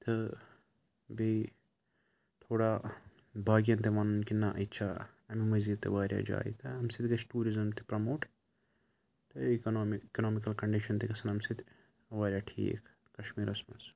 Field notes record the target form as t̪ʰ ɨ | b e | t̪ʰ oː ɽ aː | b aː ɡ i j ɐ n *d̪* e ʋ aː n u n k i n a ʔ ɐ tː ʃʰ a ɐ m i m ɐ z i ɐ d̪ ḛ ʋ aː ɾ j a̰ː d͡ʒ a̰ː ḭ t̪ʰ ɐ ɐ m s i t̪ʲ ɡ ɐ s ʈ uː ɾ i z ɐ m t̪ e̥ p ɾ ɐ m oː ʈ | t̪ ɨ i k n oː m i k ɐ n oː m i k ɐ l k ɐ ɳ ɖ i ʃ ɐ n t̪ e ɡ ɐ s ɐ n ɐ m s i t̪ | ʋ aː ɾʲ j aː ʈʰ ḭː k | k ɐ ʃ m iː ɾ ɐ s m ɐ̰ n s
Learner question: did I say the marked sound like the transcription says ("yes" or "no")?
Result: no